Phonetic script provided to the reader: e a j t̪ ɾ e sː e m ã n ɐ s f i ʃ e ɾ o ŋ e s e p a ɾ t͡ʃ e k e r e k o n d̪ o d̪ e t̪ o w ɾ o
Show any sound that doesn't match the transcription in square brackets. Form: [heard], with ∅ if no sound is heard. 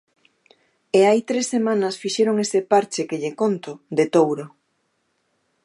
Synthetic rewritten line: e a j t̪ ɾ e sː e m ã n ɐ s f i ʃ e ɾ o ŋ e s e p a ɾ t͡ʃ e k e [ʎ] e k o n [t̪] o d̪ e t̪ o w ɾ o